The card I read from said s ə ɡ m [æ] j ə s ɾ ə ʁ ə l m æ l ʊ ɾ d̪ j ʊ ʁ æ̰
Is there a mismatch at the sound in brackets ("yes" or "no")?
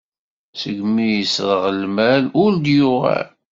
yes